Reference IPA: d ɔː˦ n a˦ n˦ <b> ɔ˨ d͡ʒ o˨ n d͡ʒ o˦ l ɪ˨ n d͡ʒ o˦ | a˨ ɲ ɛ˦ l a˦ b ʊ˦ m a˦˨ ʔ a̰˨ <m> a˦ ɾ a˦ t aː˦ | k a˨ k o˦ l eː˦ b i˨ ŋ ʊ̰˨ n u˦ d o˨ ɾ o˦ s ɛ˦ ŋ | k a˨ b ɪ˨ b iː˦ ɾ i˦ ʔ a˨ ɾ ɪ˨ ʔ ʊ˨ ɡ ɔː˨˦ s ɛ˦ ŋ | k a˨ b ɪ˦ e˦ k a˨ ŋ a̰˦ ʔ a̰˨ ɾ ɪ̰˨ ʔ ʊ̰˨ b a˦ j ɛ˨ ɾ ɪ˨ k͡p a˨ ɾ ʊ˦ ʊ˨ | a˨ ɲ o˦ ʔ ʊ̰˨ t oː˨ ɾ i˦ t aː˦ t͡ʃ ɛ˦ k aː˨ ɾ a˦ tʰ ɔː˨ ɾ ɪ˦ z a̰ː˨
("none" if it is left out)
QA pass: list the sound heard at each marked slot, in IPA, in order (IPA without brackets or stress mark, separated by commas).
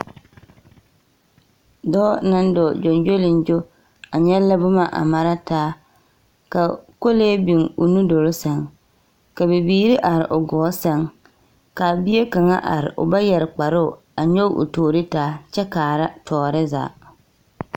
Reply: d, m